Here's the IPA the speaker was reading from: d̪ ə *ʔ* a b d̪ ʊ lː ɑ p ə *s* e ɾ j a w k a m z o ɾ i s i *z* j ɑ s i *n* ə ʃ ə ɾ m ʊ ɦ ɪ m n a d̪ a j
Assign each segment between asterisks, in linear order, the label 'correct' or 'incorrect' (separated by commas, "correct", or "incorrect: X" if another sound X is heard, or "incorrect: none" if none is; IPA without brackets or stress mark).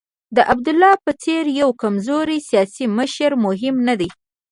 correct, incorrect: t͡s, incorrect: none, incorrect: m